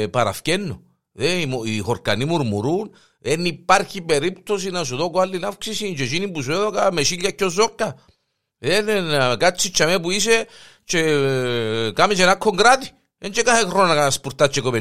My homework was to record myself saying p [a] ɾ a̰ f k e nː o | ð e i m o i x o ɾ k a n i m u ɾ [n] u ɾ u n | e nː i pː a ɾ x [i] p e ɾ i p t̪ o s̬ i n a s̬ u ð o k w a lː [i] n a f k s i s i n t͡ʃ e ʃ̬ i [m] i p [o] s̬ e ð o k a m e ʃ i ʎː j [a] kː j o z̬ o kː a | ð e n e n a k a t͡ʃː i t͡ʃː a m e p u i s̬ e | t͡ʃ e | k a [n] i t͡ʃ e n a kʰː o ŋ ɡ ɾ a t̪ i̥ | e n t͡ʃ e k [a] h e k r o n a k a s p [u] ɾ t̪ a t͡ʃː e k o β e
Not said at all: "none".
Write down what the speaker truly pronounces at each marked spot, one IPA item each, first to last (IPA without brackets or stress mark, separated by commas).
a, m, i, i, n, u, a, m, a, u